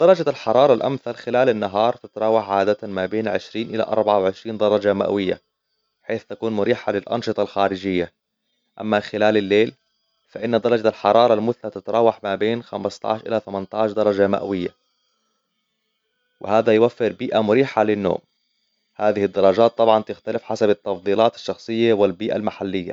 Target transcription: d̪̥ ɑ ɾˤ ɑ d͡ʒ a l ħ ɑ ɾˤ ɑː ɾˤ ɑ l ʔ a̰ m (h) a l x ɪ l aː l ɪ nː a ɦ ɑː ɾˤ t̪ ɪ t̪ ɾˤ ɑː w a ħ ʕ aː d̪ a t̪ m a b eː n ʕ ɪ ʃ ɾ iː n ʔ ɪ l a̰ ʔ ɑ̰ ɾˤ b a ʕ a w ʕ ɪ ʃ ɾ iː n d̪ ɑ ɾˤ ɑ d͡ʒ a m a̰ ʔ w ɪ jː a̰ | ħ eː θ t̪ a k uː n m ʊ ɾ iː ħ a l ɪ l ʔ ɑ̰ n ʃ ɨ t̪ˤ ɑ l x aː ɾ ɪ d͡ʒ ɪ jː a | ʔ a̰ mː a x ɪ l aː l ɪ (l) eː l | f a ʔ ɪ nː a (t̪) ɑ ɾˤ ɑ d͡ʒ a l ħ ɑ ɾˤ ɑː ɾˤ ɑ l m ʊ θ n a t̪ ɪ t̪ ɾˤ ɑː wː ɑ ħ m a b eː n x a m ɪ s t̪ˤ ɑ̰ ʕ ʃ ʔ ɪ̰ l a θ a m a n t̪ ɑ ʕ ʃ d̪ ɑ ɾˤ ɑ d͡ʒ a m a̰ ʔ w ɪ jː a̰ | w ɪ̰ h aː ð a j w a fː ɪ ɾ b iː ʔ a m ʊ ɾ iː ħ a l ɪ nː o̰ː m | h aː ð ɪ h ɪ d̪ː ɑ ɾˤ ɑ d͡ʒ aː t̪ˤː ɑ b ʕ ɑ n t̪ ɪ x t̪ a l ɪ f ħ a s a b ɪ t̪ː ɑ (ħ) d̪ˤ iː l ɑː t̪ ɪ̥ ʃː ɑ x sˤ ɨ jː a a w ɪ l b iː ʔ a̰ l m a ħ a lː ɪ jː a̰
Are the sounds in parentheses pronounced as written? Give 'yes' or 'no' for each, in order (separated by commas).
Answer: no, no, no, no